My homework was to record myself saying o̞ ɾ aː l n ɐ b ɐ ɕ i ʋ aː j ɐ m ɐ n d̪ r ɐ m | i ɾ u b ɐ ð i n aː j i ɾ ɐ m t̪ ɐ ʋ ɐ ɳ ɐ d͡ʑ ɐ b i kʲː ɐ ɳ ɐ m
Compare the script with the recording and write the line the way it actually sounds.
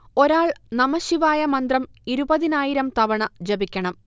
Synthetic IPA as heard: o̞ ɾ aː ɭ n ɐ m ɐ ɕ i ʋ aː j ɐ m ɐ n d̪ r ɐ m | i ɾ u b ɐ ð i n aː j i ɾ ɐ m t̪ ɐ ʋ ɐ ɳ ɐ d͡ʑ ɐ b i kʲː ɐ ɳ ɐ m